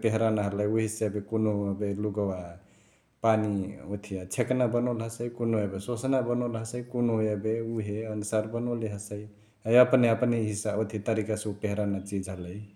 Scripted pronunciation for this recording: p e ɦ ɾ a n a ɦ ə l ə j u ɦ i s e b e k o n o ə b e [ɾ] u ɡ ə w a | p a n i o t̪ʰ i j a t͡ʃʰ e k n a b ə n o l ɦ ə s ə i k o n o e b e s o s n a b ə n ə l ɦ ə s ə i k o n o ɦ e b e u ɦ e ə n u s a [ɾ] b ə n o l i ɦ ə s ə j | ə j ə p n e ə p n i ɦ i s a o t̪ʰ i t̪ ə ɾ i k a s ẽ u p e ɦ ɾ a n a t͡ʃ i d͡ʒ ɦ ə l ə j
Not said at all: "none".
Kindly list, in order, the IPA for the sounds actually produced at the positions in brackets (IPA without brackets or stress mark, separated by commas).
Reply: l, ɾ